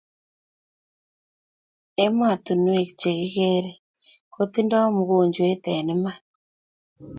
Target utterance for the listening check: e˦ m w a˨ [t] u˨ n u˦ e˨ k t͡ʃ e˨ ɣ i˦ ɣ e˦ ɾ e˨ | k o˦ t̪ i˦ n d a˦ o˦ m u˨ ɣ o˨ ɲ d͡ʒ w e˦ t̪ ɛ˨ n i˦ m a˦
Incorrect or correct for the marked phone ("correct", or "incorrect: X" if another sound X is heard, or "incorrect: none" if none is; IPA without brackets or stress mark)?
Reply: correct